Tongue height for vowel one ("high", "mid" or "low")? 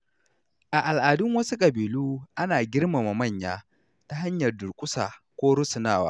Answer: low